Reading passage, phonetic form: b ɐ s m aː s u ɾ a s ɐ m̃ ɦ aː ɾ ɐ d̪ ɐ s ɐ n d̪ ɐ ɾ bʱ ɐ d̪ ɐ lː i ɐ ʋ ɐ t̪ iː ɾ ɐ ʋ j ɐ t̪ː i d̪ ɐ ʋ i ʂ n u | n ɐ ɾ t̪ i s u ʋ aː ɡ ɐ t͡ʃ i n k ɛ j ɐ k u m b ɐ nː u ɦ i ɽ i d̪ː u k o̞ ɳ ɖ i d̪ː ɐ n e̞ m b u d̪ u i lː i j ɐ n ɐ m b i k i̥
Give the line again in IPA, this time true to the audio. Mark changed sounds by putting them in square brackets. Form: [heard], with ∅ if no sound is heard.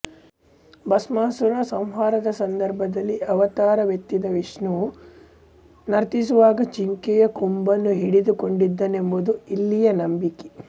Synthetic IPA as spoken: b ɐ s m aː s u ɾ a s ɐ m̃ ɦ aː ɾ ɐ d̪ ɐ s ɐ n d̪ ɐ ɾ bʱ ɐ d̪ ɐ lː i ɐ ʋ ɐ t̪ [aː] ɾ ɐ ʋ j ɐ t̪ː i d̪ ɐ ʋ i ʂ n u | n ɐ ɾ t̪ i s u ʋ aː ɡ ɐ t͡ʃ i [ŋ] k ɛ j ɐ k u m b ɐ nː u ɦ i ɽ i [d̪] u k o̞ ɳ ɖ i d̪ː ɐ n e̞ m b u d̪ u i lː i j ɐ n ɐ m b i k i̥